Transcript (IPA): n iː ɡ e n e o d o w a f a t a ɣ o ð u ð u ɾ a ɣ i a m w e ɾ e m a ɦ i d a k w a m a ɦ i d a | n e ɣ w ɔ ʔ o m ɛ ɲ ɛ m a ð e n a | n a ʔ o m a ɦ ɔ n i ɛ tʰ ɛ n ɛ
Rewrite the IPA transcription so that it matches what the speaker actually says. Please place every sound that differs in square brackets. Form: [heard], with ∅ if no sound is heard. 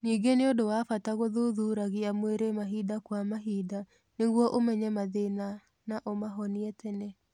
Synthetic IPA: n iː ɡ e n e o d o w a f a t a ɣ o ð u ð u ɾ a ɣ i a m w e ɾ e m a ɦ i d a k w a m a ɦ i d a | n e ɣ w ɔ ʔ o m ɛ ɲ ɛ m a ð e n a | n a ʔ o m a ɦ ɔ n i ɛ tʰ ɛ n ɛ